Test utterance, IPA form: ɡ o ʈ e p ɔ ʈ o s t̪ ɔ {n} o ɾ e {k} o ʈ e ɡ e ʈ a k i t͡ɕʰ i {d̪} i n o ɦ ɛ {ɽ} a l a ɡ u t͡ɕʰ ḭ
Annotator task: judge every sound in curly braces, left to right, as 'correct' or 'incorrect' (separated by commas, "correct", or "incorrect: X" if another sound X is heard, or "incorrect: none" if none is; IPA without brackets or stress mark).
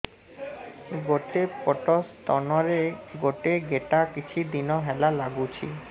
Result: correct, incorrect: ɡ, correct, incorrect: l